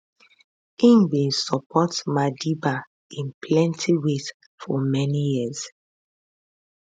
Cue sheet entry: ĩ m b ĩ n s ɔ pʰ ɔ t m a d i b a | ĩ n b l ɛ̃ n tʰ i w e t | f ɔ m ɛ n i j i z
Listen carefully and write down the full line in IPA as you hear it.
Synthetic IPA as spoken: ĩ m b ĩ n s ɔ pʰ ɔ t m a d i b a | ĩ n p l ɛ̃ n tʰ i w e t | f ɔ m ɛ n i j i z